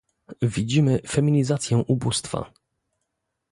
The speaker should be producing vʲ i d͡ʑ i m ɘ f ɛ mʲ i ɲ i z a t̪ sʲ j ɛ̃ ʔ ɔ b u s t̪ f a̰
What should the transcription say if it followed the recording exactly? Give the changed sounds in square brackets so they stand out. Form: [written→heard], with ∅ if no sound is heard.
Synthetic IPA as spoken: vʲ i d͡ʑ i m ɘ f ɛ mʲ i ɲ i z a t̪ sʲ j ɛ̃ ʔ [ɔ→u] b u s t̪ f a̰